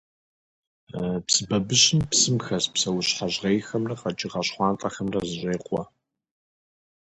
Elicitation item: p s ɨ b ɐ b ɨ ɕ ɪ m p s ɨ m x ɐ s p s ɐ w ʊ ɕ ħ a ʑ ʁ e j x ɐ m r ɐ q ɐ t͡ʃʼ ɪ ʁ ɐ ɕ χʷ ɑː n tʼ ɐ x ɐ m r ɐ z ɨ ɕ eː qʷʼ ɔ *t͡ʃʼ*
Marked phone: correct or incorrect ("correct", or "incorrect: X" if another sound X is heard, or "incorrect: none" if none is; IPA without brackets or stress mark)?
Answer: incorrect: none